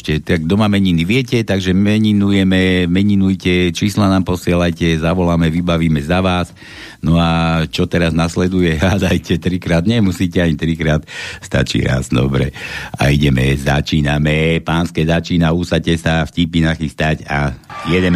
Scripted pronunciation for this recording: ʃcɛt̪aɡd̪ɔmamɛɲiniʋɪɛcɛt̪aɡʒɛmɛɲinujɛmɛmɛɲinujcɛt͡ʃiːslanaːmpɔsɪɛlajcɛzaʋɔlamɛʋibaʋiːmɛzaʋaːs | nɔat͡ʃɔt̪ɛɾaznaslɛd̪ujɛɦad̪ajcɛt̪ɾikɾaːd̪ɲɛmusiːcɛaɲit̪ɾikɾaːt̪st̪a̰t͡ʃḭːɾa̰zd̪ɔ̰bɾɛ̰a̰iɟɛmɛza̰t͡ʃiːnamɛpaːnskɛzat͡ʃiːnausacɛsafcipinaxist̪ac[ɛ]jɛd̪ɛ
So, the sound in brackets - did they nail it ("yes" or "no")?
no